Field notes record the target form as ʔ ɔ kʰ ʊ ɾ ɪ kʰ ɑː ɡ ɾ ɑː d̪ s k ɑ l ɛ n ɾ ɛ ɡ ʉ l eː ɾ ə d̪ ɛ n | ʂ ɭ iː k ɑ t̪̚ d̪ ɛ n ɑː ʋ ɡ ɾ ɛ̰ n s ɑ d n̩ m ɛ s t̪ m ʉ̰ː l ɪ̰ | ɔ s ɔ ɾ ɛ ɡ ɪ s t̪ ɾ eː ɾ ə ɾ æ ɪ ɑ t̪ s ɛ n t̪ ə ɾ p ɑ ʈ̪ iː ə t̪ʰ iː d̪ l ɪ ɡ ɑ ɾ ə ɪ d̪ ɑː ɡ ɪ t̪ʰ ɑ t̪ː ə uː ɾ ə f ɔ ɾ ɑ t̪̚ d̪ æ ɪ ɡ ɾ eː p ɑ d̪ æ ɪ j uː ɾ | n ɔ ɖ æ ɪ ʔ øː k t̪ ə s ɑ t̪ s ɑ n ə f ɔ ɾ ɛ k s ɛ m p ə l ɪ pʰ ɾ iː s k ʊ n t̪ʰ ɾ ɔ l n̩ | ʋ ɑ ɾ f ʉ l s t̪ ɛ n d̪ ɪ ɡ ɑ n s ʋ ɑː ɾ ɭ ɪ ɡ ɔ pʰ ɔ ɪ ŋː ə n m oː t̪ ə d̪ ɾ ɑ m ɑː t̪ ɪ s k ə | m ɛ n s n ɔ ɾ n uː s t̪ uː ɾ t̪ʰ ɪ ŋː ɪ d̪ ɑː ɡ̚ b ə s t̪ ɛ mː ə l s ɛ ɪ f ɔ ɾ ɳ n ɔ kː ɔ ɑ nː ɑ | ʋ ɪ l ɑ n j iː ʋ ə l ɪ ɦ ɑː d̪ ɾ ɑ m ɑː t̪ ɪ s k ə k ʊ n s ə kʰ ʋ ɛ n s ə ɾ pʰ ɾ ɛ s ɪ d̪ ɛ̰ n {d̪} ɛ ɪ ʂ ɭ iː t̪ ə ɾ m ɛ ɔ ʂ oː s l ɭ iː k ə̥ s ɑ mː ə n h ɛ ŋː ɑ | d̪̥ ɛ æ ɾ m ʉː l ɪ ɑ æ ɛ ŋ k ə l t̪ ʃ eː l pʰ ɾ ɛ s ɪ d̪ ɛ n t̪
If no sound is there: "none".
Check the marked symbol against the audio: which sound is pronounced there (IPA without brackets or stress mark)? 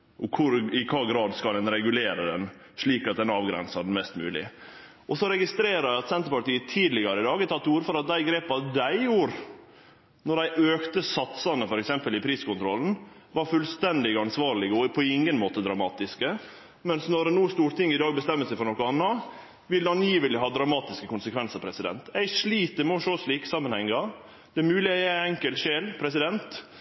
t̪